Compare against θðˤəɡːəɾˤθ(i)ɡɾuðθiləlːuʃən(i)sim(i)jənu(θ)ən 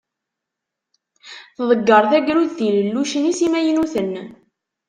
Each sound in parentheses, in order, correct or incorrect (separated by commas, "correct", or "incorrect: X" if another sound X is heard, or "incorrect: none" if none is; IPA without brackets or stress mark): incorrect: æ, correct, incorrect: æ, correct